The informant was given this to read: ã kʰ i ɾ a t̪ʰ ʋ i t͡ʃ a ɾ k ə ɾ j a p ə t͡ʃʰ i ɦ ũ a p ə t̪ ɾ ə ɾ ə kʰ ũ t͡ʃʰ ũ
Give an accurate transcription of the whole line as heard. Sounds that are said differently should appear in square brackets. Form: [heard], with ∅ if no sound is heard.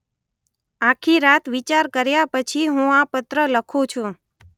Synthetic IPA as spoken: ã kʰ i ɾ a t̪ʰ ʋ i t͡ʃ a ɾ k ə ɾ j a p ə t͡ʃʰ i ɦ ũ a p ə t̪ ɾ ə [l] ə kʰ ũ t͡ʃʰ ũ